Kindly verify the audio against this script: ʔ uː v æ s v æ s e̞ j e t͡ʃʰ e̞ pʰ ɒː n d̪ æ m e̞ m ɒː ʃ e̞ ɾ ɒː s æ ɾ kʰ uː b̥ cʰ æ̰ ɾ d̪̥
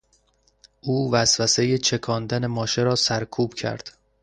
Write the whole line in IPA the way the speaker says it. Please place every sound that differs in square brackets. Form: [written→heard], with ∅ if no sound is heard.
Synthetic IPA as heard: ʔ uː v æ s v æ s e̞ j e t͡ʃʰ e̞ [pʰ→kʰ] ɒː n d̪ æ [m→n] e̞ m ɒː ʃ e̞ ɾ ɒː s æ ɾ kʰ uː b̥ cʰ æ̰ ɾ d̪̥